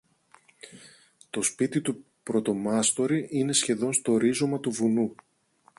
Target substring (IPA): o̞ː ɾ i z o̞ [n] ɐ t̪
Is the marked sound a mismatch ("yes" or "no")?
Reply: yes